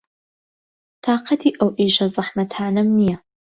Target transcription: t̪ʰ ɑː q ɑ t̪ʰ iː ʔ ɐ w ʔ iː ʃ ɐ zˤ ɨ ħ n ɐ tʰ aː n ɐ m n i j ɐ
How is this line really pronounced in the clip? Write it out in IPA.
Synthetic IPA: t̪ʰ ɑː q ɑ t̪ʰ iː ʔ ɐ w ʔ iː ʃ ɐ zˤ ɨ ħ m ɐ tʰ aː n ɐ m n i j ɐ